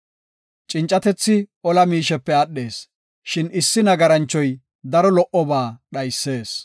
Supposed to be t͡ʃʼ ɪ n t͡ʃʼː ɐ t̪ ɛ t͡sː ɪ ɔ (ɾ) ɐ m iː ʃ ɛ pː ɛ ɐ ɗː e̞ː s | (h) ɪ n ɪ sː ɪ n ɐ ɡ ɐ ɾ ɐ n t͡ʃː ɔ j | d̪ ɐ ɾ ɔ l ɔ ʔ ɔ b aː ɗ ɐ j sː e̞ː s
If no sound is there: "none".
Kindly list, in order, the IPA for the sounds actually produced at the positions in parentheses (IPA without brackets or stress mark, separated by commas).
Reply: l, ʃ